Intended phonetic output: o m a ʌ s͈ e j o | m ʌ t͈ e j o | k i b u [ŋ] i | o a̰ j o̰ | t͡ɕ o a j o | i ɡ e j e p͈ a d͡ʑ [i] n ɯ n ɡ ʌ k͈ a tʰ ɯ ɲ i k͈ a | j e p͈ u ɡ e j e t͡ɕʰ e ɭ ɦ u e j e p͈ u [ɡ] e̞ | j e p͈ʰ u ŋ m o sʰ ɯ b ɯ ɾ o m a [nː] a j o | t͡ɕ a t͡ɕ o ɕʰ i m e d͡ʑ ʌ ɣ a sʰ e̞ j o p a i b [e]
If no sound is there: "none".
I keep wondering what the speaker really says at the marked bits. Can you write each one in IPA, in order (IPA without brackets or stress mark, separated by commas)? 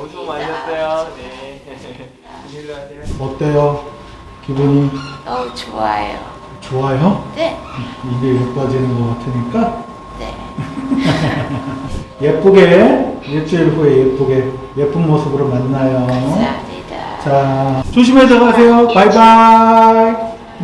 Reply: ɲ, i, ɡ, nː, a